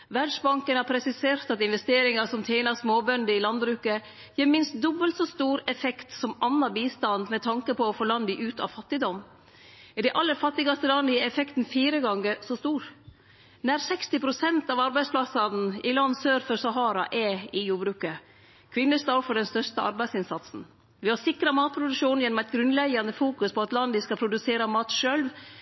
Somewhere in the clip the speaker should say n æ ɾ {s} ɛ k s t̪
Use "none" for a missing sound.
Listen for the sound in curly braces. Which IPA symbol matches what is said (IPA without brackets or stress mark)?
s